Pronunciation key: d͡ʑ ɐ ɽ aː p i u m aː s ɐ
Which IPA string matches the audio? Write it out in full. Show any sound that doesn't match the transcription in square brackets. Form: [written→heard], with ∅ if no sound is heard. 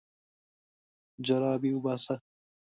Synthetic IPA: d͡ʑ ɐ [ɽ→ɾ] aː [p→b] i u [m→b] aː s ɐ